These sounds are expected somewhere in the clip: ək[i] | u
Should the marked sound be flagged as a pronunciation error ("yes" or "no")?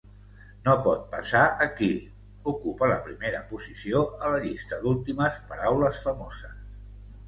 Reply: no